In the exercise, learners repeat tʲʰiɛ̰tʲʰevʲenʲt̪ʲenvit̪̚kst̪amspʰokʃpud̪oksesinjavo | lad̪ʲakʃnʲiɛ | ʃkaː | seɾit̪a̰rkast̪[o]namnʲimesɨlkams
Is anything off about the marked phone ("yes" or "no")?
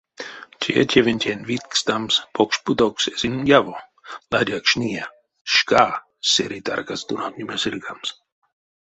yes